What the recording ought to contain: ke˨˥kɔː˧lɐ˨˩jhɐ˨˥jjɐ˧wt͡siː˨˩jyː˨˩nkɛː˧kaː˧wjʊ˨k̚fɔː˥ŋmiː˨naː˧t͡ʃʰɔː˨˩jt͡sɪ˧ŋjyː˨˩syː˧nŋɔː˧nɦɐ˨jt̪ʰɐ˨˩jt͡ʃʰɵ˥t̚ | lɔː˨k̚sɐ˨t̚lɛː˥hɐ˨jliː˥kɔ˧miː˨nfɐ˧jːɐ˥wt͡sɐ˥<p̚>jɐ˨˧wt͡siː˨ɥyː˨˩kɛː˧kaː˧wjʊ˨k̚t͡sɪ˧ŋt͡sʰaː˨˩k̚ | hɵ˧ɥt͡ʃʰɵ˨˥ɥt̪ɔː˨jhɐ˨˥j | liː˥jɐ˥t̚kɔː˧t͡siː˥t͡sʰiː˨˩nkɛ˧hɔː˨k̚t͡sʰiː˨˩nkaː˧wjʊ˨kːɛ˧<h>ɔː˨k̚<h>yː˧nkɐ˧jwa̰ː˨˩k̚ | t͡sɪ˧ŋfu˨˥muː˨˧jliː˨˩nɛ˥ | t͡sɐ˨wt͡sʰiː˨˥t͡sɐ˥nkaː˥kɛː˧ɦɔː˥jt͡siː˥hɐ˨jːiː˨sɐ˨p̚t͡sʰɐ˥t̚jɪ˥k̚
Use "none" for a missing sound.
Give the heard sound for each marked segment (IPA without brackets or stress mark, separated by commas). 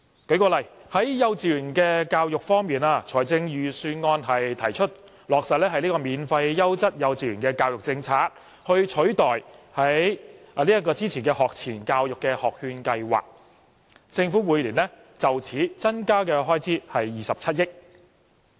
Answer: t̚, h, h